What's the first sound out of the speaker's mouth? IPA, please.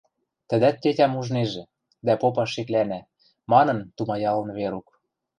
t̪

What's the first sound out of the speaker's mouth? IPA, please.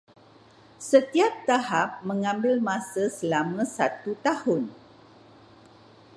s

